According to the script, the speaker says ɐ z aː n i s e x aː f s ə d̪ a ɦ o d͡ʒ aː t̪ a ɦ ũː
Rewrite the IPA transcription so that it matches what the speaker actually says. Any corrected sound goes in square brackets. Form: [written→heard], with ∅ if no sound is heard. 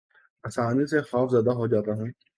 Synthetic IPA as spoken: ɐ [z→s] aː n i s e x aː f [s→z] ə d̪ a ɦ o d͡ʒ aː t̪ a ɦ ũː